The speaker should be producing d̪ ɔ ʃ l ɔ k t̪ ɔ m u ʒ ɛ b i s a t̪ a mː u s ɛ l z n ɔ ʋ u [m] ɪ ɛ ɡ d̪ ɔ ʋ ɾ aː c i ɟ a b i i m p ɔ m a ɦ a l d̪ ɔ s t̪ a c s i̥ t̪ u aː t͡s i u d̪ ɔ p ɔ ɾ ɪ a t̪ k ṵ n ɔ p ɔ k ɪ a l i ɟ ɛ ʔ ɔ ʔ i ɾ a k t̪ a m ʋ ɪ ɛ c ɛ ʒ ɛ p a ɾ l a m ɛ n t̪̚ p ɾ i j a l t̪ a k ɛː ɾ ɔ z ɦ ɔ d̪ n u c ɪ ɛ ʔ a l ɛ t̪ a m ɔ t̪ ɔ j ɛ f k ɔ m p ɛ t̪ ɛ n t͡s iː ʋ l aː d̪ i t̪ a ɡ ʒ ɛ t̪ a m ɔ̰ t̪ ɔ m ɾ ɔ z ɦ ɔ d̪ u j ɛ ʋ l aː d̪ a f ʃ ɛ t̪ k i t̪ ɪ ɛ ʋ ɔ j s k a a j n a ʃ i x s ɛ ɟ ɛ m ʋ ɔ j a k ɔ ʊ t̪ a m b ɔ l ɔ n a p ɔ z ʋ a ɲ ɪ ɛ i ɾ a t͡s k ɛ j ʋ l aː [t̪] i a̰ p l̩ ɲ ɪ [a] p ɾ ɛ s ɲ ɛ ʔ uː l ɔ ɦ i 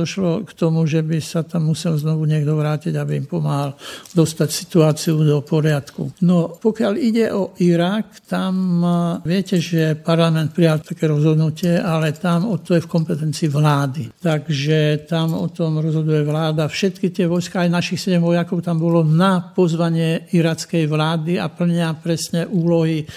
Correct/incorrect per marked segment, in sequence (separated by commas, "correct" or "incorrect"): incorrect, incorrect, correct